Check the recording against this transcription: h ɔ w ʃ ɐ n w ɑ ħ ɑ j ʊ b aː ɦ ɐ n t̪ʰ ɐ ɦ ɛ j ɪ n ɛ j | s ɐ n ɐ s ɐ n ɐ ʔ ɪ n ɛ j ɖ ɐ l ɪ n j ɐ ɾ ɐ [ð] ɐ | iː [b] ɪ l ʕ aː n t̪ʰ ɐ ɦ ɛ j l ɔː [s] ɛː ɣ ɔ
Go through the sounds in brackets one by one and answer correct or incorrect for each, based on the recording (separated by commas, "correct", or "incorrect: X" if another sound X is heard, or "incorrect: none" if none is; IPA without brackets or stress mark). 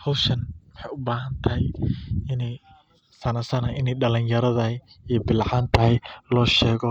correct, correct, incorrect: ʃ